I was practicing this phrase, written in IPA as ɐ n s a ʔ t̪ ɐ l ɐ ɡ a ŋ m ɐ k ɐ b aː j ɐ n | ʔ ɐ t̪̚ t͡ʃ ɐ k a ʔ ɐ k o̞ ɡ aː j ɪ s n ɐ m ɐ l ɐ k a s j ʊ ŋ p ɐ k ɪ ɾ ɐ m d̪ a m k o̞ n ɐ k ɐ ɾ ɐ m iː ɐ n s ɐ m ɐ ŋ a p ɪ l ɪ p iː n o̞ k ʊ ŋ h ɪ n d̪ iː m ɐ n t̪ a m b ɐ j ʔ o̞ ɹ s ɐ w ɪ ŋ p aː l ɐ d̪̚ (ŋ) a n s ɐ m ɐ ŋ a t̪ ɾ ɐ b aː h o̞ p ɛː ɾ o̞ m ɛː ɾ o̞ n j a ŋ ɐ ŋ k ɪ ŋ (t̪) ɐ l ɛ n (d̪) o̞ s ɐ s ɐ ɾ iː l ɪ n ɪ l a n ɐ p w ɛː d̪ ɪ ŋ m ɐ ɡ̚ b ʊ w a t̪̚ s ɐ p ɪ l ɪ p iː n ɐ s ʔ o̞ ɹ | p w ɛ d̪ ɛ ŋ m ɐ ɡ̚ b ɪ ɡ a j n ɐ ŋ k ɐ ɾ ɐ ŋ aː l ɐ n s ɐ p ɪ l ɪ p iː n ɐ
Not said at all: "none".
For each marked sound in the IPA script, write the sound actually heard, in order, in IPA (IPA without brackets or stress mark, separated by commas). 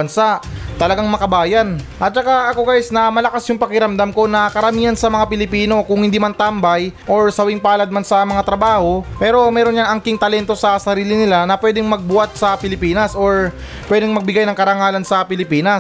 m, t̪, t̪